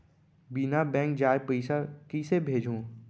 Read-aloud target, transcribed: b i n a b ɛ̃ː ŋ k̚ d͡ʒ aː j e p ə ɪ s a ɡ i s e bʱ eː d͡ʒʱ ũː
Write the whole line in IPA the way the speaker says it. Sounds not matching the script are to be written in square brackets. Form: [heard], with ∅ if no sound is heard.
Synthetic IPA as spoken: b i n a b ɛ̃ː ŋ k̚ d͡ʒ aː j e p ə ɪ s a [k] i s e bʱ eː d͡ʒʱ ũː